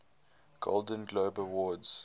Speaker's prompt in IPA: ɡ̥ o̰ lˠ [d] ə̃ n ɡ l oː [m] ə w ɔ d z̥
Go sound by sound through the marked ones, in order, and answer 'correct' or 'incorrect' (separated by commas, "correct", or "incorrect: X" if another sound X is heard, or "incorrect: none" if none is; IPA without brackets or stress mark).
correct, incorrect: b